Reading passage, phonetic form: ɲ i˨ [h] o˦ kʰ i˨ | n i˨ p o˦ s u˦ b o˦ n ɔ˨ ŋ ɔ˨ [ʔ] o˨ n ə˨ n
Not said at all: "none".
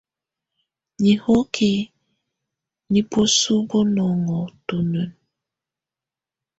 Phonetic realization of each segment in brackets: h, t

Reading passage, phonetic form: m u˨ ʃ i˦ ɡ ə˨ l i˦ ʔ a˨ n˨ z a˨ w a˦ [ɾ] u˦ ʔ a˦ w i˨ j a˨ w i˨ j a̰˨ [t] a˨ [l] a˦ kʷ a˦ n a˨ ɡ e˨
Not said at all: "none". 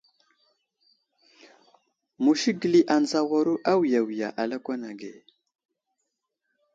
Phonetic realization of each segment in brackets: ɾ, ʔ, l

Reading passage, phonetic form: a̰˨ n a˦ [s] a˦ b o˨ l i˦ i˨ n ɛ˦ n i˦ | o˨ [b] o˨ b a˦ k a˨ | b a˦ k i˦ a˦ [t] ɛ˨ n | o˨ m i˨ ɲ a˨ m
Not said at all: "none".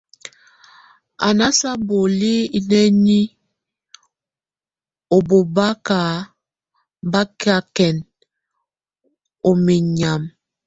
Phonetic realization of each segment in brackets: s, b, k

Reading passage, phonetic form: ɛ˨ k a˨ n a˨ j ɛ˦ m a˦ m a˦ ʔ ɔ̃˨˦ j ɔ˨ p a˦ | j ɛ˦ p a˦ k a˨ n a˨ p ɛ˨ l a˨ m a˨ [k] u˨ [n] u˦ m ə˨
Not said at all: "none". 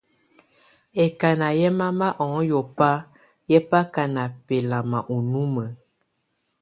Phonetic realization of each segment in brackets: ʔ, n

